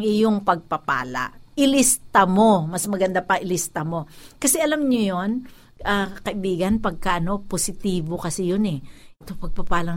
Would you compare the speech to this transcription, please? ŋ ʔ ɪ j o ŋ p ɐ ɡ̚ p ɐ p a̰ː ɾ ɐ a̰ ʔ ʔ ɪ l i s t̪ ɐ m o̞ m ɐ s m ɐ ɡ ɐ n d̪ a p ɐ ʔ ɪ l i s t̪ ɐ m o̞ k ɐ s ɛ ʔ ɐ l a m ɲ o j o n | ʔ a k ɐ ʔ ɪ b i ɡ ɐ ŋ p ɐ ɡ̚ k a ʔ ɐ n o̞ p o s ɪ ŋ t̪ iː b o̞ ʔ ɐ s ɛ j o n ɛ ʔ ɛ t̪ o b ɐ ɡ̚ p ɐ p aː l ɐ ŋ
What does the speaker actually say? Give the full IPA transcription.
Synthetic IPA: ŋ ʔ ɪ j o ŋ p ɐ ɡ̚ p ɐ p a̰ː l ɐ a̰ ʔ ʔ ɪ l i s t̪ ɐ m o̞ m ɐ s m ɐ ɡ ɐ n d̪ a p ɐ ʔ ɪ l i s t̪ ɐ m o̞ k ɐ s ɛ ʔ ɐ l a m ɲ o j o n | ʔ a k ɐ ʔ ɪ b iː ɡ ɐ n p ɐ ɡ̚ k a ʔ ɐ n o̞ p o s ɪ t̪ iː b o̞ k ɐ s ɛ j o n ɛ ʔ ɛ t̪ o p ɐ ɡ̚ p ɐ p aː l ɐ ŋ